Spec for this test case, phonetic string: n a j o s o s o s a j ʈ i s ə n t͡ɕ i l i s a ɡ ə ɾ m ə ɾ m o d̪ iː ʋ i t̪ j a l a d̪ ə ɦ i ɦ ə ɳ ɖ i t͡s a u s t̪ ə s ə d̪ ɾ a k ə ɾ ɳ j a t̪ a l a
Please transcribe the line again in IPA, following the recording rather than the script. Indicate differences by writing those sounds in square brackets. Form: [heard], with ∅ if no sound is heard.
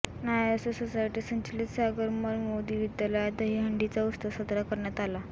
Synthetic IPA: n a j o s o s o s a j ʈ i s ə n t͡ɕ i l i s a ɡ ə ɾ m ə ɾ m o d̪ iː ʋ i [d̪] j a l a d̪ ə ɦ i ɦ ə ɳ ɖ i t͡s a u s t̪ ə s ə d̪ ɾ a k ə ɾ ɳ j a t̪ a l a